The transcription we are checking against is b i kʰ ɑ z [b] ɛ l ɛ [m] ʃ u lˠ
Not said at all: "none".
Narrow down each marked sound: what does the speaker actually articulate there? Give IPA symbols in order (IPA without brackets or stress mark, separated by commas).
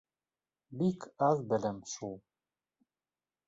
b, m